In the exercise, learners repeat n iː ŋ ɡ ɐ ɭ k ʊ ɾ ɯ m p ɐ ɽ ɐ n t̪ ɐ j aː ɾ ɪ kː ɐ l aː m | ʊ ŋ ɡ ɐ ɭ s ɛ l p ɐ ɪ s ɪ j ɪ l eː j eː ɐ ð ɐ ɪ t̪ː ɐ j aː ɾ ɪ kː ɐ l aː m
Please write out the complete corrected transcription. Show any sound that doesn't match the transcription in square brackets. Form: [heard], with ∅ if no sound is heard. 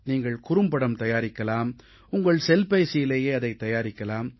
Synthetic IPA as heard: n iː ŋ ɡ ɐ ɭ k ʊ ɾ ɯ m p ɐ ɽ ɐ [m] t̪ ɐ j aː ɾ ɪ kː ɐ l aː m | ʊ ŋ ɡ ɐ ɭ s ɛ l p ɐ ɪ s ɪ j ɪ l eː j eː ɐ ð ɐ ɪ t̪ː ɐ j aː ɾ ɪ kː ɐ l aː m